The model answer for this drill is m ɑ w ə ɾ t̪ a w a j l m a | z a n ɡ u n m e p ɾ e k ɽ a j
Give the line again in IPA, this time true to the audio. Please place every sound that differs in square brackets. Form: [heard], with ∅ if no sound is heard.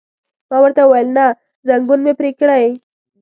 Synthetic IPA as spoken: m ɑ w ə ɾ t̪ a w a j l [n] a | z a [ŋ] ɡ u n m e p ɾ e k ɽ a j

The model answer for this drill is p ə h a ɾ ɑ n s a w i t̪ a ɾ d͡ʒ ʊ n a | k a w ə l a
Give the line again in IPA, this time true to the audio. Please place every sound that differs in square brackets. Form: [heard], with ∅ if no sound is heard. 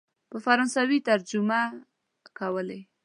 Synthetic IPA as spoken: p ə [f] a ɾ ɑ n s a w i t̪ a ɾ d͡ʒ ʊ [m] a | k a w ə l [e]

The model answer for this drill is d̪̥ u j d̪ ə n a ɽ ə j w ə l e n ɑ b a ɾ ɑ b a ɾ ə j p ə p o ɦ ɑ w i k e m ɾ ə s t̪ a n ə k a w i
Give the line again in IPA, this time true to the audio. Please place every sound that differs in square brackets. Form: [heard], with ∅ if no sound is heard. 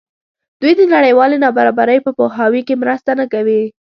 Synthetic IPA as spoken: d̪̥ u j d̪ ə n a ɽ ə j w [ɑ] l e n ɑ b a ɾ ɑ b a ɾ ə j p ə p o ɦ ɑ w i k e m ɾ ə s t̪ a n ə k a w i

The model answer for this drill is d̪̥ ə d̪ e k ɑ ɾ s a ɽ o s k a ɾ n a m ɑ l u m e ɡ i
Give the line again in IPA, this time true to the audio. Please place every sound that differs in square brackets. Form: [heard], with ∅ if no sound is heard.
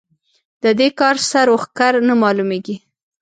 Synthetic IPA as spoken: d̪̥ ə d̪ e k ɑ ɾ s a [ɾ] o [x] k a ɾ n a m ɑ l u m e ɡ i

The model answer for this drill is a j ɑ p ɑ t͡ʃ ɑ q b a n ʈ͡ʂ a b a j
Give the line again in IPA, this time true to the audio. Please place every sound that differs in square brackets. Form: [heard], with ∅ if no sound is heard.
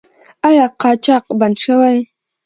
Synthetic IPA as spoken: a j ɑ [q] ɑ t͡ʃ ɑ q b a n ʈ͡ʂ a [w] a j

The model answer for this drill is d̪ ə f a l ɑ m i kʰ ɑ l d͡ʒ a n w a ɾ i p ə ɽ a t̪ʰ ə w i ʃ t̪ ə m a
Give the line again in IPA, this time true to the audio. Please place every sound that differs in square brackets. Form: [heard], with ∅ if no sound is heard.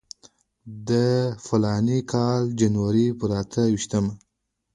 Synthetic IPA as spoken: d̪ ə f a l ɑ [n] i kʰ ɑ l d͡ʒ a n w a ɾ i p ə [ɾ] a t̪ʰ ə w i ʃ t̪ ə m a

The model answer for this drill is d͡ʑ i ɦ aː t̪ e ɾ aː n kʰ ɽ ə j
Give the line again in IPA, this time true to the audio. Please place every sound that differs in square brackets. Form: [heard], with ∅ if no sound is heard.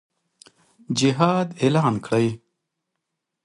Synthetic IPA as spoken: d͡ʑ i ɦ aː [d̪] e [l] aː n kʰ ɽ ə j

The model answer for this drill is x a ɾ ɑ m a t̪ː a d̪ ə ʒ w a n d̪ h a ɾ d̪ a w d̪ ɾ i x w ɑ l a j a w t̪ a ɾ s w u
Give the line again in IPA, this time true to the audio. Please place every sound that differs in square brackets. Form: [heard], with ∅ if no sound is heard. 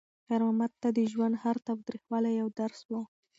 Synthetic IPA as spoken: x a ɾ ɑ m a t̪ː a d̪ ə ʒ w a n d̪ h a ɾ [t̪] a w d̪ ɾ i x w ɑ l a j a w [d̪] a ɾ s w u

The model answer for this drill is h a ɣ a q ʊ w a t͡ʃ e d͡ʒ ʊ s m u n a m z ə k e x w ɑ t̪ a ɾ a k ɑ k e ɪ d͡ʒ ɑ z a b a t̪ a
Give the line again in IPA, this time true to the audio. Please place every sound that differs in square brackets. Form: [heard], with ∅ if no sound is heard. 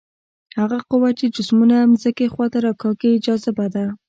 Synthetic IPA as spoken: h a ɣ a q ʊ w a t͡ʃ e d͡ʒ ʊ s m u n a m z ə k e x w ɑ t̪ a ɾ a k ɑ k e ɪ d͡ʒ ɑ z a b a [d̪] a

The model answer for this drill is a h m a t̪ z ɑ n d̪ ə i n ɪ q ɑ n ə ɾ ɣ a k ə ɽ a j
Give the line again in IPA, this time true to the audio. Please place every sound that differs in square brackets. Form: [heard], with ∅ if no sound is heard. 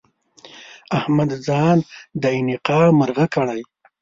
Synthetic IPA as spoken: a h m a [d̪] z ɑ n d̪ ə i n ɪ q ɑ [m] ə ɾ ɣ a k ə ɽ a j

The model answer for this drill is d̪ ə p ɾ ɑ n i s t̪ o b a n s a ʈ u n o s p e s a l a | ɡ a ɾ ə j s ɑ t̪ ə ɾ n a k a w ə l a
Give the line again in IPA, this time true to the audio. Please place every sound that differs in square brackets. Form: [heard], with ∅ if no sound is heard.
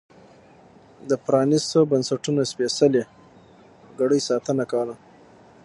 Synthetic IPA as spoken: d̪ ə p ɾ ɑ n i s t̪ o b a n s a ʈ u n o s p e s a l [e] | ɡ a [ɽ] ə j s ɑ t̪ ə [∅] n a k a w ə l a

